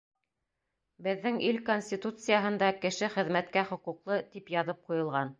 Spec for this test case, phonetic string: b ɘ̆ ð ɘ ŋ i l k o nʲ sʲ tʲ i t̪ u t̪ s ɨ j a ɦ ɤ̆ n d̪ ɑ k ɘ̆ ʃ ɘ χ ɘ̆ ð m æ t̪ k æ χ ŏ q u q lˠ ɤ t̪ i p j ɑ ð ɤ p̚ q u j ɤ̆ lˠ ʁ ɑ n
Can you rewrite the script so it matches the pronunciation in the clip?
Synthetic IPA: b ɘ̆ ðː ɘ ŋ i l k o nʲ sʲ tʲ i t̪ u t̪ s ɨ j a ɦ ɤ̆ n d̪ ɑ k ɘ̆ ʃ ɘ χ ɘ̆ ð m æ t̪ k æ χ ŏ q u q lˠ ɤ t̪ i p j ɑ ð ɤ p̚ q u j ɤ̆ lˠ ʁ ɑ n

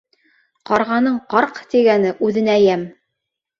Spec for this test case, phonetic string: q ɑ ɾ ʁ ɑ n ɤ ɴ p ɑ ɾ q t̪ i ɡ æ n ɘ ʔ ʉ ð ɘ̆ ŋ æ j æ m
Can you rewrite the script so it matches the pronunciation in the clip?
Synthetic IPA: q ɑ ɾ ʁ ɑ n ɤ ɴ q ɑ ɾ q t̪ i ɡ æ n ɘ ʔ ʉ ð ɘ̆ n æ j æ m

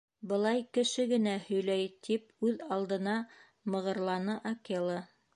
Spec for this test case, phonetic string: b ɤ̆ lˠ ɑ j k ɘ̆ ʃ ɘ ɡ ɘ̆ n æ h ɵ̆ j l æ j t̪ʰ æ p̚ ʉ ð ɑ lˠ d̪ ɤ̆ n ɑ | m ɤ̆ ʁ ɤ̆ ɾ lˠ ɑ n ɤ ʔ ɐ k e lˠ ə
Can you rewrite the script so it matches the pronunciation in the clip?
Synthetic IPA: b ɤ̆ lˠ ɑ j k ɘ̆ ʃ ɘ ɡ ɘ̆ n æ h ɵ̆ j l æ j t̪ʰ i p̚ ʉ ð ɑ lˠ d̪ ɤ̆ n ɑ | m ɤ̆ ʁ ɤ̆ ɾ lˠ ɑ n ɤ ʔ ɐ k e lˠ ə

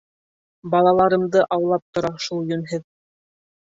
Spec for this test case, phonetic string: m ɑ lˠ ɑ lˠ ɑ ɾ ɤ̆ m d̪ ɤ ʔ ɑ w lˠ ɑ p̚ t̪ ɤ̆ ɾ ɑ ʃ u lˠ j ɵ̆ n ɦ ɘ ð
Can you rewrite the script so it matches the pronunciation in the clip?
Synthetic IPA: b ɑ lˠ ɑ lˠ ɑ ɾ ɤ̆ m d̪ ɤ ʔ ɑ w lˠ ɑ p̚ t̪ ŏ ɾ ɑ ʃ u lˠ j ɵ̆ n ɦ ɘ ð

